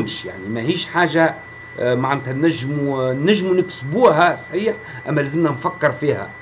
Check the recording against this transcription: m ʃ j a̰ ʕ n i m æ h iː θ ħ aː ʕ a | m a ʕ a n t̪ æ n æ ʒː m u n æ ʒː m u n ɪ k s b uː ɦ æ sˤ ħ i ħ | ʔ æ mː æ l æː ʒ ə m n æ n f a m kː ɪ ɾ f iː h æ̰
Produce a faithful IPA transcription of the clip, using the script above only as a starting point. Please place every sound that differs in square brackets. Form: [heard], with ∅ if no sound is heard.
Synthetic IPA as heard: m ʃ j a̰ ʕ n i m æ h iː [ʃ] ħ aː [ʒ] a | m a ʕ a n t̪ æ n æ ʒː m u n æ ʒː m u n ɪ k s b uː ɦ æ sˤ ħ [iː] ħ | ʔ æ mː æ l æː [z] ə m n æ n f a [∅] kː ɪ ɾ f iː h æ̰